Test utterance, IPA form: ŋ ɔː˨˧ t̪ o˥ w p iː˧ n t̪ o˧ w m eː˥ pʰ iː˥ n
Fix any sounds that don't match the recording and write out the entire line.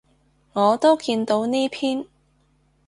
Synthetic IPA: ŋ ɔː˨˧ t̪ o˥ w k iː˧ n t̪ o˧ w n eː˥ pʰ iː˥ n